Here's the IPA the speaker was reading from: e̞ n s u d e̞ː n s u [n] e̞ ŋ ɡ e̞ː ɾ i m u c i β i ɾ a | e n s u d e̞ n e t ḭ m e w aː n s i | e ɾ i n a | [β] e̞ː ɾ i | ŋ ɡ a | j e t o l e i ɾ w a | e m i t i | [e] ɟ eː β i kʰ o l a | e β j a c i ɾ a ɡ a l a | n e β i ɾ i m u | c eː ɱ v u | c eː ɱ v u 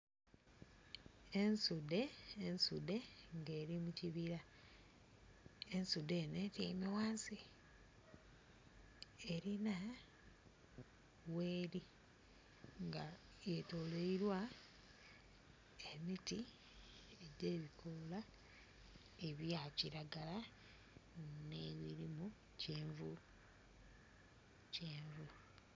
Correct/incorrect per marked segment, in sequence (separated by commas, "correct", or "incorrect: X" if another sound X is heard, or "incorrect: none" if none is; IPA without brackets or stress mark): incorrect: d, incorrect: w, correct